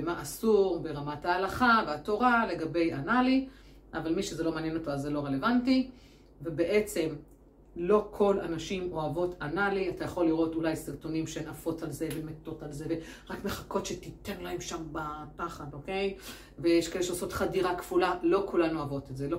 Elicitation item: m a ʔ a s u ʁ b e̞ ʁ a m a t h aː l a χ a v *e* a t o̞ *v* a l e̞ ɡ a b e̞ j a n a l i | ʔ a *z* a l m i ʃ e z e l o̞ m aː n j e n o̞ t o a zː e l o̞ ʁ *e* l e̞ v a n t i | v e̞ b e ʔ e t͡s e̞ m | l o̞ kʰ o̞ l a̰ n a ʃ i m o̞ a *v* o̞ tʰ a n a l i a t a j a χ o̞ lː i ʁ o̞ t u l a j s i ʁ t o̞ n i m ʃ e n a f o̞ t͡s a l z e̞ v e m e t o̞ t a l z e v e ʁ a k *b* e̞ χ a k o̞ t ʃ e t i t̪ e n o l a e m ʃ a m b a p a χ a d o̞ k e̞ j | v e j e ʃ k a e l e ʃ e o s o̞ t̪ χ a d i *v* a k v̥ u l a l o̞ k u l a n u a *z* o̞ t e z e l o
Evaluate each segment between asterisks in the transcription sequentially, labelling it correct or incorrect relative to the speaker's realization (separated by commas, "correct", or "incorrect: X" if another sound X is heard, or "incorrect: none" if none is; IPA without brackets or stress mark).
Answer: correct, incorrect: ʁ, incorrect: v, correct, correct, incorrect: m, incorrect: ʁ, incorrect: v